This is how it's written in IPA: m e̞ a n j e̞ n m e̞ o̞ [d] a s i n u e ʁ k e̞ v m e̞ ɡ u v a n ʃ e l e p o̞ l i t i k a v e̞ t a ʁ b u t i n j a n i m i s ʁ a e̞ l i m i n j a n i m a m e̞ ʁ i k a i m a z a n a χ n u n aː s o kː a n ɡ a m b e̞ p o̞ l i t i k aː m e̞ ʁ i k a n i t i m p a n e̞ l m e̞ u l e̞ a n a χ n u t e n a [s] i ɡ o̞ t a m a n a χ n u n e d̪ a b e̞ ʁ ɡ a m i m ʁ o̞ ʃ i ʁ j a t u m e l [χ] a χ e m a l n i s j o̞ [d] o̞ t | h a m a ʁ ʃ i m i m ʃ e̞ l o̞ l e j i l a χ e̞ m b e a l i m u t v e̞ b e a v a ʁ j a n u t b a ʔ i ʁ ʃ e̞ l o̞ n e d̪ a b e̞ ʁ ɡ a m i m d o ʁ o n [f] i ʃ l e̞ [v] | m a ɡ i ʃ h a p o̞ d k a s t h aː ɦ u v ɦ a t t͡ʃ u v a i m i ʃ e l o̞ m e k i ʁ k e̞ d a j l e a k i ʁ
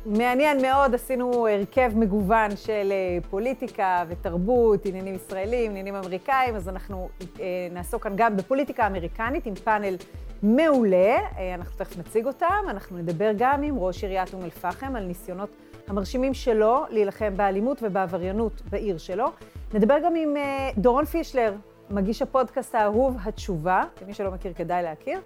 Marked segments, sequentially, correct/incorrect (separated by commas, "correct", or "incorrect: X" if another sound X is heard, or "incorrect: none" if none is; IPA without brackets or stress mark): correct, incorrect: t͡s, incorrect: f, incorrect: n, correct, incorrect: ʁ